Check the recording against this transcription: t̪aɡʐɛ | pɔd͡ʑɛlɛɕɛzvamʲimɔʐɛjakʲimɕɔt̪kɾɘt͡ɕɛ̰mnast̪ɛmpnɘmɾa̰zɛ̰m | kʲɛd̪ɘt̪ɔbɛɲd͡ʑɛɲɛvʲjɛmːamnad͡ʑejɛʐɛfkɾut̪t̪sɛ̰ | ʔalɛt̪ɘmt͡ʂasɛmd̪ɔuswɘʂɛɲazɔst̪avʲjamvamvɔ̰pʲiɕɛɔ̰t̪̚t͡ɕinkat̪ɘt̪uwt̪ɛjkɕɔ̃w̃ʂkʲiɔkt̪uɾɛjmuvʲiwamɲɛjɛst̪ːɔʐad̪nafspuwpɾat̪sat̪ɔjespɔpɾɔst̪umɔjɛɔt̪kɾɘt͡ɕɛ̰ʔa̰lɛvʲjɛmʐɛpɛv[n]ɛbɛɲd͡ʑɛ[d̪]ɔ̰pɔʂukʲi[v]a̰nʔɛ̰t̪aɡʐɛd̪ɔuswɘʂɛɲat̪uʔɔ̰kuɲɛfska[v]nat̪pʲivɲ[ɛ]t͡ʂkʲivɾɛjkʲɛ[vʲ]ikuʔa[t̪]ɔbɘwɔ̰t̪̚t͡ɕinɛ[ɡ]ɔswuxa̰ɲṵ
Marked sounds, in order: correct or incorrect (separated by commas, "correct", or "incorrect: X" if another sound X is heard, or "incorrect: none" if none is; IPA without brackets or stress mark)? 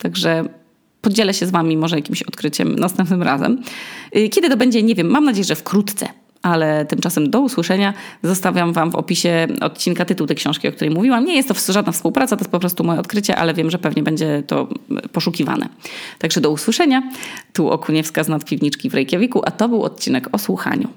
incorrect: ɲ, incorrect: t̪, correct, incorrect: z, incorrect: i, correct, correct, incorrect: k